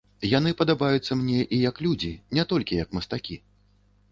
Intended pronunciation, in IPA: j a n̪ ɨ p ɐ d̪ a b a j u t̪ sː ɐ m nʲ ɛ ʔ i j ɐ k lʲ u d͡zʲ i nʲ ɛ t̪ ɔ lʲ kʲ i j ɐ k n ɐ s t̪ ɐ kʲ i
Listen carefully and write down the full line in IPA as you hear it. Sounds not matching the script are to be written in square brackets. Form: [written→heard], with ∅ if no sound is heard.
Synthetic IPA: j a n̪ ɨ p ɐ d̪ a b a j u t̪ sː ɐ m nʲ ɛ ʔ i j ɐ k lʲ u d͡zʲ i nʲ ɛ t̪ ɔ lʲ kʲ i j ɐ k [n→m] ɐ s t̪ [ɐ→a] kʲ i